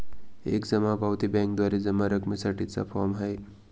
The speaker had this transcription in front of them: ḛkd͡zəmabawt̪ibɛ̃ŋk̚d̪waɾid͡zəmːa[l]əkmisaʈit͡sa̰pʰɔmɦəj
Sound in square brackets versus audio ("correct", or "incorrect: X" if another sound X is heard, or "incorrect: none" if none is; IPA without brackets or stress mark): incorrect: ɾ